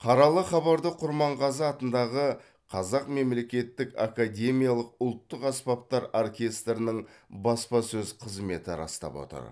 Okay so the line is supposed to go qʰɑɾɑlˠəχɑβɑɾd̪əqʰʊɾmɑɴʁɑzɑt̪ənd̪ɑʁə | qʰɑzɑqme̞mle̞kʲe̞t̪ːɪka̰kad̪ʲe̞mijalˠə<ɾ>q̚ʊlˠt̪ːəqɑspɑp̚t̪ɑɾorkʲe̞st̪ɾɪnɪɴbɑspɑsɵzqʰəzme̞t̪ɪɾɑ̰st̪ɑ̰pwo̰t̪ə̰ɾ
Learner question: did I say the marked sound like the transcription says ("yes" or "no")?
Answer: no